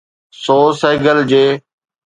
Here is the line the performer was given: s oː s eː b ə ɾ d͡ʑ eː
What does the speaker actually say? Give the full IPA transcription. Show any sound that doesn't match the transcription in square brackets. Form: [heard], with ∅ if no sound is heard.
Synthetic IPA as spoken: s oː s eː [ɡ] ə [l] d͡ʑ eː